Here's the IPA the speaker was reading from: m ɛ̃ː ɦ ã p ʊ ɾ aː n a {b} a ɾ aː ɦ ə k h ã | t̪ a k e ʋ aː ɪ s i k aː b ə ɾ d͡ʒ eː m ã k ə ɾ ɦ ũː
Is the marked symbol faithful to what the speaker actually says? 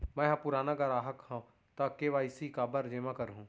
no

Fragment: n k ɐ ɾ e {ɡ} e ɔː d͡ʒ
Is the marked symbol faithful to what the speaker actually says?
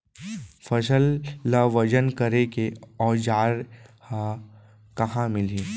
no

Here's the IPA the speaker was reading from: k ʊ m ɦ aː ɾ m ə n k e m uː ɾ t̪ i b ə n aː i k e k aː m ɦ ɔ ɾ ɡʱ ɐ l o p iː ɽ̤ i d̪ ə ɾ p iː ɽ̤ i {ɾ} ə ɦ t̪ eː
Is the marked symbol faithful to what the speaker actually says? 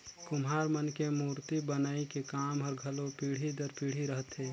yes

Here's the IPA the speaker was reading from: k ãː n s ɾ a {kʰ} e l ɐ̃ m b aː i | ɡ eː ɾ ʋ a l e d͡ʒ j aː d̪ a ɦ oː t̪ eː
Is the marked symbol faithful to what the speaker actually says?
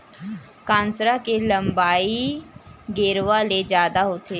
no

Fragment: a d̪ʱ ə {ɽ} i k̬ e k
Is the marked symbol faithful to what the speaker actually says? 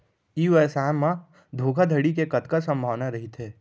yes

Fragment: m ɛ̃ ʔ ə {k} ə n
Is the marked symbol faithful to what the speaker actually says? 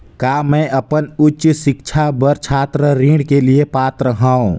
no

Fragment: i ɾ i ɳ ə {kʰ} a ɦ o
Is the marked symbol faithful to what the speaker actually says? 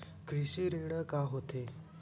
no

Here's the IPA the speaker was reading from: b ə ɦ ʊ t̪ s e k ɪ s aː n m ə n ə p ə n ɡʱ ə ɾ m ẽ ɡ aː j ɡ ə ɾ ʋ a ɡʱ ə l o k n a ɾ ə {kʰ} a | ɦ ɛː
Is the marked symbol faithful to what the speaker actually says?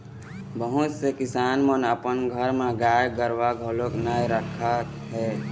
yes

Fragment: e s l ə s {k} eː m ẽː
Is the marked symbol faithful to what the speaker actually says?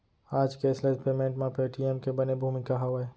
no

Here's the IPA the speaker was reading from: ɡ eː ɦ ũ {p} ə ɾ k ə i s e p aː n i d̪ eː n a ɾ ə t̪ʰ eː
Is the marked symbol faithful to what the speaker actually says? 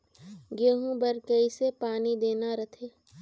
no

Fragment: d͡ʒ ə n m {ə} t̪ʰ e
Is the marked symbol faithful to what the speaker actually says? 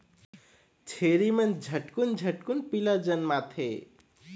no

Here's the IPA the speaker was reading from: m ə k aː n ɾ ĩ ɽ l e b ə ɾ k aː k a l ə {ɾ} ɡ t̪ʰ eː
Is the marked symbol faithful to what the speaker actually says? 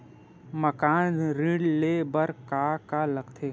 no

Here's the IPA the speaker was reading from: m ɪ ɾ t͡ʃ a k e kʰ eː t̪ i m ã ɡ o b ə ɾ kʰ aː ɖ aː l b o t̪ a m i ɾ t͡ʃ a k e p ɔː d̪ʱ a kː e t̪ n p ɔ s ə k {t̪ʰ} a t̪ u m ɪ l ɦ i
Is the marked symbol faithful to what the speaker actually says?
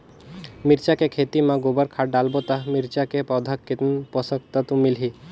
no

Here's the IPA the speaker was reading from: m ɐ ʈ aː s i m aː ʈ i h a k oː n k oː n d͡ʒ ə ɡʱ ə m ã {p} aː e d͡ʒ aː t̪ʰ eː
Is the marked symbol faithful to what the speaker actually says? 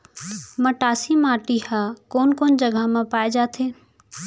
yes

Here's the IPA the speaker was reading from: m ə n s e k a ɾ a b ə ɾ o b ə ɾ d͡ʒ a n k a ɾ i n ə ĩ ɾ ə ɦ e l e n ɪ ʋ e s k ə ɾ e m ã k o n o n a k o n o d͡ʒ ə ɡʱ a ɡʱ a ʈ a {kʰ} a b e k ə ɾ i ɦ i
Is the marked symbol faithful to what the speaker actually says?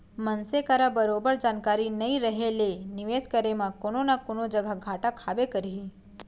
yes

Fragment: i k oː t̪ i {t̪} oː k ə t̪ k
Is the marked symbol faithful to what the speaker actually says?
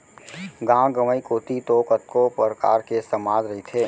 yes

